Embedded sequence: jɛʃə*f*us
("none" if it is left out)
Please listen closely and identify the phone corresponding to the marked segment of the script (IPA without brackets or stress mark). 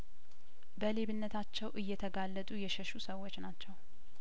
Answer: ʃ